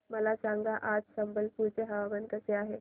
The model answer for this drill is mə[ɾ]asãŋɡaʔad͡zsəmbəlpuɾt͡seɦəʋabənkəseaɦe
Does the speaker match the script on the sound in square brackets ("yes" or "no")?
no